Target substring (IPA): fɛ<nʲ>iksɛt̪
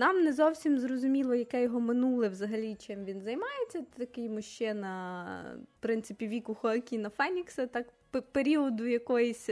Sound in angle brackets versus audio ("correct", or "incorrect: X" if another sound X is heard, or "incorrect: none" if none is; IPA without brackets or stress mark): correct